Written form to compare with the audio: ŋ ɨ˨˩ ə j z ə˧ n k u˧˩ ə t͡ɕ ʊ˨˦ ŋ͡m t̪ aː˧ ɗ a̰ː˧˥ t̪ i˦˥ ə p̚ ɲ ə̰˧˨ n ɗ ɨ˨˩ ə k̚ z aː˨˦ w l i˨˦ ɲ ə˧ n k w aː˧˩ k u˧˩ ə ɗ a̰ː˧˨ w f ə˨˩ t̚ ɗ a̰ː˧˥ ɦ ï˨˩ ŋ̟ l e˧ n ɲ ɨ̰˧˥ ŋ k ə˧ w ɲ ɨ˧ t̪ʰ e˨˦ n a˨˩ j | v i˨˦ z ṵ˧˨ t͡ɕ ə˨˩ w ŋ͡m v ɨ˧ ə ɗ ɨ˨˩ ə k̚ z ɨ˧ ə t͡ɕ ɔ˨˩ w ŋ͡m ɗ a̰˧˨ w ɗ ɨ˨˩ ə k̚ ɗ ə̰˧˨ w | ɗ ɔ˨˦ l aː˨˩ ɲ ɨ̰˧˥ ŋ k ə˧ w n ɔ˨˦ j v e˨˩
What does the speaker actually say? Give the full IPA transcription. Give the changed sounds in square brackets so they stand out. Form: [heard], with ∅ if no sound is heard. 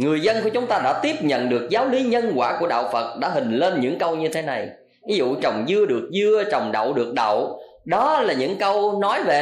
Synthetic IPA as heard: ŋ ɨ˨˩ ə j z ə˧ n k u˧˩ ə t͡ɕ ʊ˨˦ ŋ͡m t̪ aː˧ ɗ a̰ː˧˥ t̪ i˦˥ ə p̚ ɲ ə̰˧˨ n ɗ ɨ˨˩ ə k̚ z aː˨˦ w l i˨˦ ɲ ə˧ n k w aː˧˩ k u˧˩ ə ɗ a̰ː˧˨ w f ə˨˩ t̚ ɗ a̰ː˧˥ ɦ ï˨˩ ŋ̟ l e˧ n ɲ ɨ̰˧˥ ŋ k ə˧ w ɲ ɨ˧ t̪ʰ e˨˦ n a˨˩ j | v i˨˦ z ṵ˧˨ t͡ɕ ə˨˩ w ŋ͡m [z] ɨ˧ ə ɗ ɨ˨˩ ə k̚ z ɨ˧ ə t͡ɕ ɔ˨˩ w ŋ͡m ɗ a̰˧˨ w ɗ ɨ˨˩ ə k̚ ɗ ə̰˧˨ w | ɗ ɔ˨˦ l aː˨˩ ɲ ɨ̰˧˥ ŋ k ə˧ w n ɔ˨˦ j v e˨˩